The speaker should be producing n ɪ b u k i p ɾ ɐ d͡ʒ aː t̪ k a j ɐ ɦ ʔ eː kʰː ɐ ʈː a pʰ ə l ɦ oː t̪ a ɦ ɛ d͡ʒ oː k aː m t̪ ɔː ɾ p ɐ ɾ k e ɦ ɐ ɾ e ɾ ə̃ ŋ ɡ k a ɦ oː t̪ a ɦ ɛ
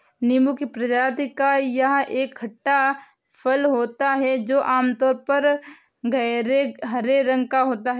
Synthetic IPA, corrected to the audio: n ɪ m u k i p ɾ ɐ d͡ʒ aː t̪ k a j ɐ ɦ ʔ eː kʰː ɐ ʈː a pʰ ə l ɦ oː t̪ a ɦ ɛ d͡ʒ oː ʔ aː m t̪ ɔː ɾ p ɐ ɾ ɡ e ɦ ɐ ɾ e ɾ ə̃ ŋ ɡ k a ɦ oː t̪ a ɦ ɛ